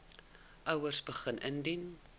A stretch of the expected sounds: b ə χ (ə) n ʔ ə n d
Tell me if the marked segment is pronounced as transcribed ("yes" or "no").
yes